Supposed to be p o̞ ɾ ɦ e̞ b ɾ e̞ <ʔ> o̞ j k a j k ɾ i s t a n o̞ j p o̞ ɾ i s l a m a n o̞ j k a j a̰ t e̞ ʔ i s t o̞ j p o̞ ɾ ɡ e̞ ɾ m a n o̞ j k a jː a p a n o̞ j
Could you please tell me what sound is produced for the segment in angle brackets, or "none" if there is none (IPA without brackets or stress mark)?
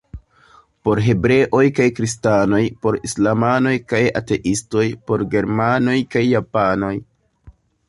ʔ